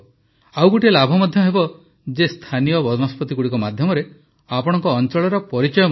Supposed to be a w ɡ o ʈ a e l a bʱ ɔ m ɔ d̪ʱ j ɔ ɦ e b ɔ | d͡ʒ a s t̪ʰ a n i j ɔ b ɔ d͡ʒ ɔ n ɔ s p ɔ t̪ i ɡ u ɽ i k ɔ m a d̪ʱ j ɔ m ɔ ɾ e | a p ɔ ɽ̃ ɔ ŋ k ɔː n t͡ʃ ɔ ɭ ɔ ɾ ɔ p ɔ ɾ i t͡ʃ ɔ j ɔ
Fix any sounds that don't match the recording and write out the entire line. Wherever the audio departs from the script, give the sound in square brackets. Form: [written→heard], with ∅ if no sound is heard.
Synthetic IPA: a w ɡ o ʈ [a→i] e l a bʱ ɔ m ɔ d̪ʱ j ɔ ɦ e b ɔ | d͡ʒ [a→e] s t̪ʰ a n i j ɔ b ɔ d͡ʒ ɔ n ɔ s p ɔ t̪ i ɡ u ɽ i k ɔ m a d̪ʱ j ɔ m ɔ ɾ e | a p ɔ ɽ̃ ɔ ŋ k ɔː n t͡ʃ ɔ ɭ ɔ ɾ ɔ p ɔ ɾ i t͡ʃ ɔ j ɔ